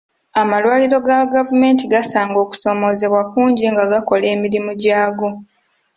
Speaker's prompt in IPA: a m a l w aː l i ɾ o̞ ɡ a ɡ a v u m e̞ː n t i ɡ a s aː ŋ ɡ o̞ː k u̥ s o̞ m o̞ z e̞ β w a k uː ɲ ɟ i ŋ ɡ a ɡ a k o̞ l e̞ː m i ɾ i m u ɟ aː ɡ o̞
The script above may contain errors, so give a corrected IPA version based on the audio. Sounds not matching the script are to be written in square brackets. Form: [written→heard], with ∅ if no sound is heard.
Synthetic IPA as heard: a m a l w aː l i ɾ o̞ ɡ a ɡ a v u m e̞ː n t i ɡ a s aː ŋ ɡ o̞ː k u̥ s o̞ m o̞ z e̞ β w a k uː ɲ ɟ i ŋ ɡ a ɡ a k o̞ l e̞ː m i ɾ i m u ɟ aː ɡ o̞